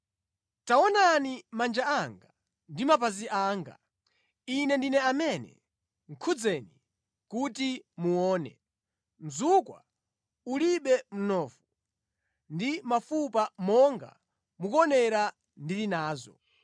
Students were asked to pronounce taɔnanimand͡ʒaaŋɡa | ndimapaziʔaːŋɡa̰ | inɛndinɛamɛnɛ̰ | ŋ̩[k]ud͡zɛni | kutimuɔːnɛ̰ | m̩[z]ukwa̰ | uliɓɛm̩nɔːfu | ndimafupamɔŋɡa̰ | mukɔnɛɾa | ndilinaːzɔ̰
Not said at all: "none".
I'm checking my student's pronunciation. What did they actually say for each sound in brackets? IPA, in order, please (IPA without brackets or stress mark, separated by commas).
kʰ, z